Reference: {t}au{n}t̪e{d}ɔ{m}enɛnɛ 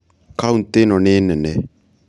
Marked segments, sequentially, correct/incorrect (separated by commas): incorrect, correct, incorrect, incorrect